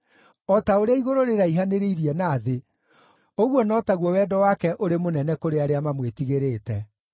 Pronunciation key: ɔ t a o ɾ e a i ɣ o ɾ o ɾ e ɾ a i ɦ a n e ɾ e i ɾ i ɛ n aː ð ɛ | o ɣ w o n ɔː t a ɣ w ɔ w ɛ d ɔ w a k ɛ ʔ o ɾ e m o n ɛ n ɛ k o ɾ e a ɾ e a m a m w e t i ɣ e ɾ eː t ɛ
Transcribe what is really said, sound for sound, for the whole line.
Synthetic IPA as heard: ɔ t a o ɾ e a i ɣ o ɾ o ɾ e ɾ a i ɦ a n e ɾ e i ɾ i ɛ n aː ð e | o ɣ w ɔ n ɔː t a ɣ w ɔ w ɛ d ɔ w a k ɛ ʔ o ɾ e m o n ɛ n ɛ k o ɾ e a ɾ e a m a m w e t i ɣ e ɾ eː t ɛ